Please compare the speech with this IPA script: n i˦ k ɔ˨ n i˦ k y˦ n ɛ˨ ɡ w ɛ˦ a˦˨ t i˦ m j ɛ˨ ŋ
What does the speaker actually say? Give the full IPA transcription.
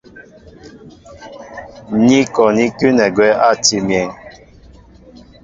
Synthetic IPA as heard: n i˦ k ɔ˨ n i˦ k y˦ n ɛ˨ ɡ w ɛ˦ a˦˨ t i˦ m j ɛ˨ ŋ